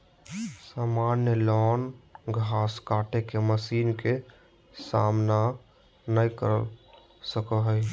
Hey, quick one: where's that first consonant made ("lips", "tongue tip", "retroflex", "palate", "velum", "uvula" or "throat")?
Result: tongue tip